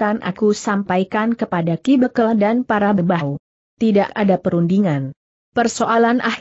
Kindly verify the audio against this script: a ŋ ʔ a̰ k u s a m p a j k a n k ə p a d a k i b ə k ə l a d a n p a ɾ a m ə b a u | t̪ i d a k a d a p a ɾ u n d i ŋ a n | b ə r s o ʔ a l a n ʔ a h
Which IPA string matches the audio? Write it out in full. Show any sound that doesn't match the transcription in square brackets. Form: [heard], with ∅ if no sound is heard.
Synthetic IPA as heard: a [n] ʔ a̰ k u s a m p a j k a n k ə p a d a k i b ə k ə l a d a n p a ɾ a [b] ə b a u | t̪ i d a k a d a p [ə] ɾ u n d i ŋ a n | [p] ə r s o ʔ a l a n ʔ a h